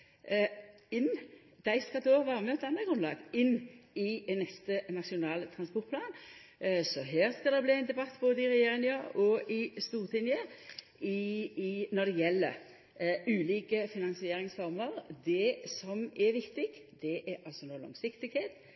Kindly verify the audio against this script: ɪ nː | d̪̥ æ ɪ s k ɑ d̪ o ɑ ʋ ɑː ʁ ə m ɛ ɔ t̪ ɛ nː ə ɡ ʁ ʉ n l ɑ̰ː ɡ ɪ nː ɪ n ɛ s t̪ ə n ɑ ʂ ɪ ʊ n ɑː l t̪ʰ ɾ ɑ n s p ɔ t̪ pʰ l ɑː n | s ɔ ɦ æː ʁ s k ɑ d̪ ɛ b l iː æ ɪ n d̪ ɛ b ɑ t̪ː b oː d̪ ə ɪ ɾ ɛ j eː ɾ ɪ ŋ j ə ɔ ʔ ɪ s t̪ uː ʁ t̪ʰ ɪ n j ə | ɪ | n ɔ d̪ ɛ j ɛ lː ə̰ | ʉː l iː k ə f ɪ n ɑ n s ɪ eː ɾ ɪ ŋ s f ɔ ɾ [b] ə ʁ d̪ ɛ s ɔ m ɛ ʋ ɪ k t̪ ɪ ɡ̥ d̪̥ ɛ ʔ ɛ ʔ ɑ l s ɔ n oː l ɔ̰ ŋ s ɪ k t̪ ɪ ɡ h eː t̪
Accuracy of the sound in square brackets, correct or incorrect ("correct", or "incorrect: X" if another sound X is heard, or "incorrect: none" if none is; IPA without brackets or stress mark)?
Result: incorrect: m